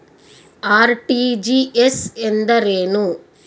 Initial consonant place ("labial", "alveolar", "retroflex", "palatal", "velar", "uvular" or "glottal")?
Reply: alveolar